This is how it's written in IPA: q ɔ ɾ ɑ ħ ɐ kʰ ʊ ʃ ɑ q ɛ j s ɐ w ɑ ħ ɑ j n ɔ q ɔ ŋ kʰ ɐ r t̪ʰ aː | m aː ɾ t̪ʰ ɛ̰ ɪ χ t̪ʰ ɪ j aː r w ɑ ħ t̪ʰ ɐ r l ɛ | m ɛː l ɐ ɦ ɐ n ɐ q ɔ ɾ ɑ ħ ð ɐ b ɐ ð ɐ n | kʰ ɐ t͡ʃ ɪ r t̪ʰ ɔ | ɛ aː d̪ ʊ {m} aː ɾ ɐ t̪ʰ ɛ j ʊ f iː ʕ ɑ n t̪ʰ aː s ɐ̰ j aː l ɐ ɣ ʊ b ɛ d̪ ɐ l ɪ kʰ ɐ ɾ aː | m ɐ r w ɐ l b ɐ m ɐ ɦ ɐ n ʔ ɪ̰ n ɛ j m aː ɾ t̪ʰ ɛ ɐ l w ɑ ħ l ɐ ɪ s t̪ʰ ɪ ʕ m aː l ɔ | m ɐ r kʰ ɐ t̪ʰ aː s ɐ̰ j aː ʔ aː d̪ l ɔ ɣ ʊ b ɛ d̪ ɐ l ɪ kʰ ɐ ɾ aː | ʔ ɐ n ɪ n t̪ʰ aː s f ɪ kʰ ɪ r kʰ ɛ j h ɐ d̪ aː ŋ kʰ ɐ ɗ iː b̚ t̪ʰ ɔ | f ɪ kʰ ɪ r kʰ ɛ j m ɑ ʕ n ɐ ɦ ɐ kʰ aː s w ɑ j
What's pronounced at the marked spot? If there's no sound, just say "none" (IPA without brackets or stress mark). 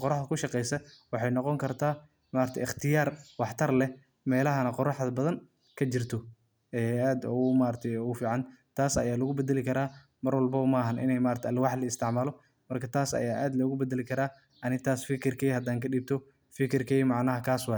m